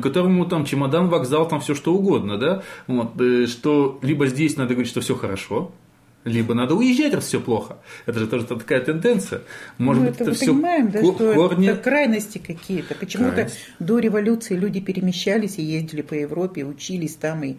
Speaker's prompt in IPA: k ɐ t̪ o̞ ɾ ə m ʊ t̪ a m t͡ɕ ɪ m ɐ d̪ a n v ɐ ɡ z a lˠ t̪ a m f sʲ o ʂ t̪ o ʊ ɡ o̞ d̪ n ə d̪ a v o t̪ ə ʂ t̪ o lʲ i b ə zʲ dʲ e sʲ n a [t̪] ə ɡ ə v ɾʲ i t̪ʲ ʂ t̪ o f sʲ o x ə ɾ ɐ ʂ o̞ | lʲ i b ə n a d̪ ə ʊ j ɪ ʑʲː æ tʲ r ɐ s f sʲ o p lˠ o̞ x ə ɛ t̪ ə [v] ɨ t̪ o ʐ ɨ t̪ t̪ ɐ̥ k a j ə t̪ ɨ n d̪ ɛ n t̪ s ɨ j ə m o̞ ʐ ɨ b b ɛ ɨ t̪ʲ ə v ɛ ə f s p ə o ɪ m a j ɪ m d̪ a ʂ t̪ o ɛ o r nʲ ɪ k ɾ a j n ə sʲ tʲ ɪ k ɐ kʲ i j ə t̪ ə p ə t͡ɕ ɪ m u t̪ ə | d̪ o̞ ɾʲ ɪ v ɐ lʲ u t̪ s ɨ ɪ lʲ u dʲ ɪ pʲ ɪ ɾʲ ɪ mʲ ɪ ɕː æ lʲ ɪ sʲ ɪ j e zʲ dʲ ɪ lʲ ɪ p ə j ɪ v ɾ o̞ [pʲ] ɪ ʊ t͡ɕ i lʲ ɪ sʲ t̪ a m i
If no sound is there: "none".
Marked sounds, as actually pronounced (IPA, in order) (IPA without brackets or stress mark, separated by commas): d̪, ʐ, pʲ